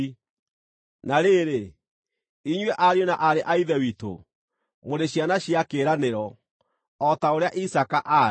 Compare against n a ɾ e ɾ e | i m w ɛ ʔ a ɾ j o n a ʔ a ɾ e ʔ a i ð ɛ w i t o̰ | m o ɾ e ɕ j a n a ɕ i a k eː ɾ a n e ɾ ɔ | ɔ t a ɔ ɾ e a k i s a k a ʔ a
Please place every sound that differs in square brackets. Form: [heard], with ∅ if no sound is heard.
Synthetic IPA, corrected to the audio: n a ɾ e ɾ e | i [ɲ] w ɛ ʔ a ɾ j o n a ʔ a ɾ e ʔ a i ð ɛ w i t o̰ | m o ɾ e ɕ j a n a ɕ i a k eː ɾ a n e ɾ ɔ | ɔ t a [o] ɾ e a [ʔ] i s a k a ʔ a